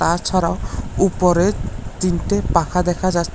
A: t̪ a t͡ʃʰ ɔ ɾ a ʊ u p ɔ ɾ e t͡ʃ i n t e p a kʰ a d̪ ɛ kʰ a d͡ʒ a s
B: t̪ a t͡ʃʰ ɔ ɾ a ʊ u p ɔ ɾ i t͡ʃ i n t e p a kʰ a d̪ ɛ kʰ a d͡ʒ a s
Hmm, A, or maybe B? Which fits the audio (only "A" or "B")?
A